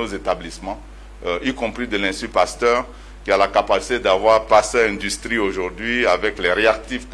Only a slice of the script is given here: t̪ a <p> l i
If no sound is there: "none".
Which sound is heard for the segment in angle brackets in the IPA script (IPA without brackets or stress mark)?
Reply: b